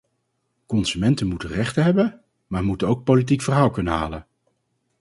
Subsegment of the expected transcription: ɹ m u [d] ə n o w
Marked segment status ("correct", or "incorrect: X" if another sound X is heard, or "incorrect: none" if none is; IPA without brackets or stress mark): incorrect: t